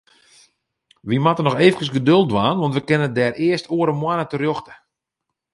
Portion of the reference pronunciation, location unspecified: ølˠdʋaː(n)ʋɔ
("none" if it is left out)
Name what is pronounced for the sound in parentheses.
n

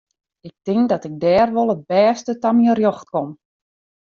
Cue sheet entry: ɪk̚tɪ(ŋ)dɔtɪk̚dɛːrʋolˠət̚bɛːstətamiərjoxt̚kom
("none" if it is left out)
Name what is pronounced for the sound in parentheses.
ŋ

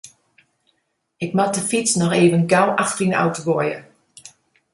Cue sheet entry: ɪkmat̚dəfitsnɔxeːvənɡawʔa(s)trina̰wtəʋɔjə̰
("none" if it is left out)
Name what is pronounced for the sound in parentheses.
x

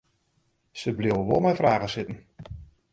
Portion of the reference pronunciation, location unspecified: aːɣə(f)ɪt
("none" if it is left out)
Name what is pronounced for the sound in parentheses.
s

